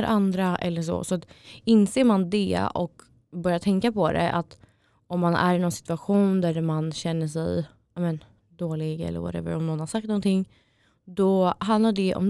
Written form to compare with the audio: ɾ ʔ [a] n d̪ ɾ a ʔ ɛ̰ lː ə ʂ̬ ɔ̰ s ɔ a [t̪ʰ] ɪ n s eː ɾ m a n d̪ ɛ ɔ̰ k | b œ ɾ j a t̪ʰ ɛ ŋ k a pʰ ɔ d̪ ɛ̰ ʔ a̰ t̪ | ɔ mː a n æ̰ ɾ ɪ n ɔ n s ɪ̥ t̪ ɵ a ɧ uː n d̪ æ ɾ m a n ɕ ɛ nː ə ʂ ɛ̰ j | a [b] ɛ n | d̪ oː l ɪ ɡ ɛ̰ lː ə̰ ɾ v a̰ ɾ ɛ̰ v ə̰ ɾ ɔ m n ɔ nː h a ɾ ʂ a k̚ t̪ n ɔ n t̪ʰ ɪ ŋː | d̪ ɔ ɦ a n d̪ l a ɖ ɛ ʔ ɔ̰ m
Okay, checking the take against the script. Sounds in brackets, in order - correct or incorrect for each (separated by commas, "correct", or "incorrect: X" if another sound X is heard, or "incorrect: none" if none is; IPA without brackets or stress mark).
correct, incorrect: t̪, incorrect: m